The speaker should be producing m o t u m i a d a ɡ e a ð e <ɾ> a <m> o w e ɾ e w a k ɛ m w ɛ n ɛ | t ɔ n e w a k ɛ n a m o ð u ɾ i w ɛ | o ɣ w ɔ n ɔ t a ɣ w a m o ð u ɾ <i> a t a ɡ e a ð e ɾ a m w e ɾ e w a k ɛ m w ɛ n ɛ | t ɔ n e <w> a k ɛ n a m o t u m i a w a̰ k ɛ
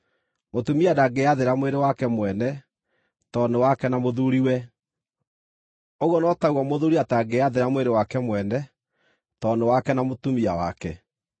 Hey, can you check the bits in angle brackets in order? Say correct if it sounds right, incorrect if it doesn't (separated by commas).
correct, correct, correct, correct